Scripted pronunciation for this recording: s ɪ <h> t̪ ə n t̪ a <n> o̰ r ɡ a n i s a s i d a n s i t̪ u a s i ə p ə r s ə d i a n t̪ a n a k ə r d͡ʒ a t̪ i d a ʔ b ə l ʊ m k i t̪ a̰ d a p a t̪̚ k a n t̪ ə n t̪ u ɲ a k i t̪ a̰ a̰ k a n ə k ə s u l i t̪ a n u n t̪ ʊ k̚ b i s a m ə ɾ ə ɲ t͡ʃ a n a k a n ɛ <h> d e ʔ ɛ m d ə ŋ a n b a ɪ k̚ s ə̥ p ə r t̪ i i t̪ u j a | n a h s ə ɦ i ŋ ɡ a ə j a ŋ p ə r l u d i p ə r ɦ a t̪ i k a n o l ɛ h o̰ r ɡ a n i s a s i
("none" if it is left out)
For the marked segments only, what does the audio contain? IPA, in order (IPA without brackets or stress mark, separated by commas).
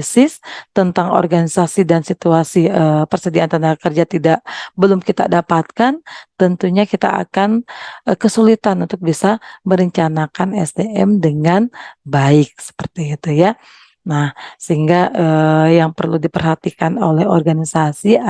s, ŋ, s